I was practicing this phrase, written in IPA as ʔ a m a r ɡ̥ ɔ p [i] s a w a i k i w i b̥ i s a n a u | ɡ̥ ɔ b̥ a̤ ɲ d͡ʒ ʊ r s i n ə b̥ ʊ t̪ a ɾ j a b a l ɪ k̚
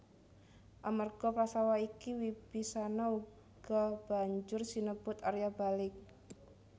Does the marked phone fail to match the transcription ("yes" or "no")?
yes